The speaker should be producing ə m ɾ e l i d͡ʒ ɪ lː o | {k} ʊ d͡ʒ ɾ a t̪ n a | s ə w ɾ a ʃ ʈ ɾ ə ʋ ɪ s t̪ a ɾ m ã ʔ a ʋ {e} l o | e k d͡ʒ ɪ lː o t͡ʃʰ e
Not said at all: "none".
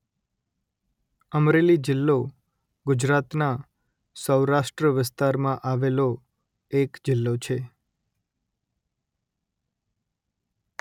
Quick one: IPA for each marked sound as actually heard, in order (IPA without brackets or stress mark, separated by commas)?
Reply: ɡ, e